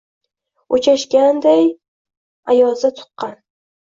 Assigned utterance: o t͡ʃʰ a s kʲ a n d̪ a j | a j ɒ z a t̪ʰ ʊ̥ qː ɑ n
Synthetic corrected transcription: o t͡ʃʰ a ʃ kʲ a n d̪ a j | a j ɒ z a t̪ʰ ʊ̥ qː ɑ n